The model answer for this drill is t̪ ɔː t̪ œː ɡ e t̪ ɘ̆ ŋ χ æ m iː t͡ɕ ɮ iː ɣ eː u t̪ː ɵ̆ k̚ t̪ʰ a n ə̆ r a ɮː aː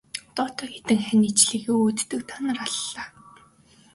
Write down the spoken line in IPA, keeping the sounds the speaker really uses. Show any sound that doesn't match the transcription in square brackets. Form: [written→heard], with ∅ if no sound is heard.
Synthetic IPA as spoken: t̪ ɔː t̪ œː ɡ e t̪ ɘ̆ ŋ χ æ [m→n] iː t͡ɕ ɮ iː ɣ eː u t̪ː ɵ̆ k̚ t̪ʰ a n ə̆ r a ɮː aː